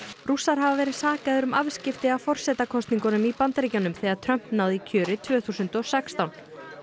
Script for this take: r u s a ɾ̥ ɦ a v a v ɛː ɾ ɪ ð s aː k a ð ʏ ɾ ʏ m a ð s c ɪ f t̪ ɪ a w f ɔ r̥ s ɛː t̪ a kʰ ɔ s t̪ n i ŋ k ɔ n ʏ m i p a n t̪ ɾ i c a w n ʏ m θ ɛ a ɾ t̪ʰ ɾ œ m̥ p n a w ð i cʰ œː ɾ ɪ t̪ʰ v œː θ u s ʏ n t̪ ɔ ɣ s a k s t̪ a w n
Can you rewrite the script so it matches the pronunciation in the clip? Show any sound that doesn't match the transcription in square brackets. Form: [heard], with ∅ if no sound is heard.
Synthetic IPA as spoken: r u s a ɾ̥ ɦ a v a v ɛː ɾ ɪ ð s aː k a ð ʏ ɾ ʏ m a [v] s c ɪ f t̪ ɪ a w f ɔ r̥ s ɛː t̪ a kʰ ɔ s t̪ n i ŋ k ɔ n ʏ m i p a n t̪ ɾ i c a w n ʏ m θ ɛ a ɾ t̪ʰ ɾ œ m̥ p n a w ð i cʰ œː ɾ ɪ t̪ʰ v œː θ u s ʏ n t̪ ɔ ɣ s [ɛ] k s t̪ a w n